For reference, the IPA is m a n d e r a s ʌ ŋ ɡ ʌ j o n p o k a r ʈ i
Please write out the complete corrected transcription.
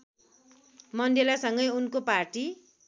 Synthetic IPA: m ʌ n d e l a s ʌ ŋ ɡ ʌ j u n k o p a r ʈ i